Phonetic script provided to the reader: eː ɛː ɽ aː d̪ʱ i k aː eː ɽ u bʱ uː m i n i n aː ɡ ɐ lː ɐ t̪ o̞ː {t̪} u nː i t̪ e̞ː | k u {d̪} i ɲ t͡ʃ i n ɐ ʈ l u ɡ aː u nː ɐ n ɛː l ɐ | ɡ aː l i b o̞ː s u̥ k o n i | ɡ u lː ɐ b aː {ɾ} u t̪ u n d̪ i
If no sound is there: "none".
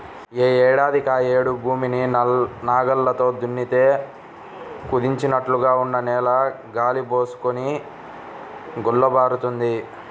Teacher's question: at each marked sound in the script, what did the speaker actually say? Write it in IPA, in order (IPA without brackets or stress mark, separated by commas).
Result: d̪, d̪, ɾ